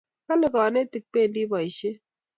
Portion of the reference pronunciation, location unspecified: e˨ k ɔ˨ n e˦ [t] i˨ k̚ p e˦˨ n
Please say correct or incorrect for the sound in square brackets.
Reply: correct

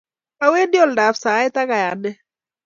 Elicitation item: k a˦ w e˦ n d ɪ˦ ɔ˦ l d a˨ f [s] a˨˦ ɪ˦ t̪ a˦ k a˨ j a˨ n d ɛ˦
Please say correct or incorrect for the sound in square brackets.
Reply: correct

